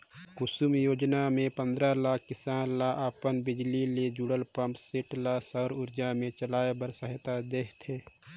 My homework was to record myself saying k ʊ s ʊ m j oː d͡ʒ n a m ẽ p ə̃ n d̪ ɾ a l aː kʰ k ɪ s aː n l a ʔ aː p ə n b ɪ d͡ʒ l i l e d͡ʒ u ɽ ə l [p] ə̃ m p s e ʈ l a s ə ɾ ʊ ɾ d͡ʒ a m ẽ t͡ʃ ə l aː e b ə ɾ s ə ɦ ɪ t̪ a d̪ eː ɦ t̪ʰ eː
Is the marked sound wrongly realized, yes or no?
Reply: no